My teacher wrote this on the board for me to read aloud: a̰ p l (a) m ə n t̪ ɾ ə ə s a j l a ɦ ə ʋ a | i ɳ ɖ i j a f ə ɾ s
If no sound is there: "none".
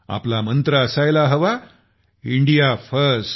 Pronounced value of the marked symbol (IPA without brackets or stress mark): a